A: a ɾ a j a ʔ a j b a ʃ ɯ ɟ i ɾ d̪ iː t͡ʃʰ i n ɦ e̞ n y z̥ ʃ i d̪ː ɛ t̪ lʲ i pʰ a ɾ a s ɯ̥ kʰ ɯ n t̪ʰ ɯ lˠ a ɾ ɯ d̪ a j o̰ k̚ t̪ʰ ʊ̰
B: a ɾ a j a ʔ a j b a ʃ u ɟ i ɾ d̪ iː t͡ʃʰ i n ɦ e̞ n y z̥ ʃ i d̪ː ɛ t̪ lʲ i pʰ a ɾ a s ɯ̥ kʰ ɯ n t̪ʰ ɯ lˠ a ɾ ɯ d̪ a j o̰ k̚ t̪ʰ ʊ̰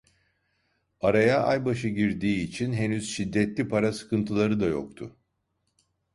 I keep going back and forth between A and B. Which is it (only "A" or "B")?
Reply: A